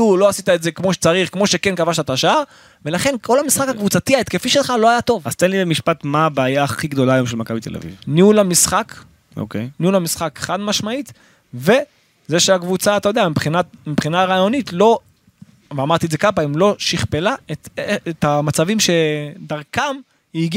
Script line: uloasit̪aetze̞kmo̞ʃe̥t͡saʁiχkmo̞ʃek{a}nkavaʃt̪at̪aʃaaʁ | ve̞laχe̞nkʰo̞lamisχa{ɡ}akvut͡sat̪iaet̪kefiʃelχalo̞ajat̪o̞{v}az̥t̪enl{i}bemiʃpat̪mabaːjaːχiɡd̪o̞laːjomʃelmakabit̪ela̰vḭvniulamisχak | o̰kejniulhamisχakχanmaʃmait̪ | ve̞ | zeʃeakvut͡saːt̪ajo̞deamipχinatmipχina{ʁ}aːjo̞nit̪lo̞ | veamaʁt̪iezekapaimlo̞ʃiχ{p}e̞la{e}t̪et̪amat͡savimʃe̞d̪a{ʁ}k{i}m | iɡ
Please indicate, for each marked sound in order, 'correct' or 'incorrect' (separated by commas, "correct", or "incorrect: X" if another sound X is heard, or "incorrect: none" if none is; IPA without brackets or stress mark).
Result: incorrect: e, incorrect: k, correct, correct, correct, correct, correct, correct, incorrect: a